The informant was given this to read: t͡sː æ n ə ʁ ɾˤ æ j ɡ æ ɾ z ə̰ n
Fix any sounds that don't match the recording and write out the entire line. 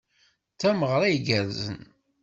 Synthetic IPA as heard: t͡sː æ m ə ʁ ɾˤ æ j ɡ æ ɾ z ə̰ n

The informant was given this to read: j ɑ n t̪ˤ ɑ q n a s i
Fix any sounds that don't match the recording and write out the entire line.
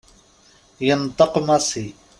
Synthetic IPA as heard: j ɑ n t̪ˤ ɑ q m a s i

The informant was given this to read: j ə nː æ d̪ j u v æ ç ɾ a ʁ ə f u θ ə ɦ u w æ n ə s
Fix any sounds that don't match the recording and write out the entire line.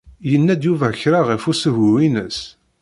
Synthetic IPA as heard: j ə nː æ d̪ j u v æ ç ɾ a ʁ ə f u s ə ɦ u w i n ə s

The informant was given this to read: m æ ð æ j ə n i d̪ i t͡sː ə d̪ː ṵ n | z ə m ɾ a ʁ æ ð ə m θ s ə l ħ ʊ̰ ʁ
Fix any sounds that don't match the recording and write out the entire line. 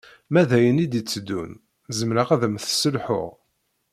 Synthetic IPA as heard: m æ ð æ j ə n i d̪ i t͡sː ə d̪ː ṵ n | z ə m ɾ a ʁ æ ð ə m θ s ə l ħ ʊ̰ ʁ

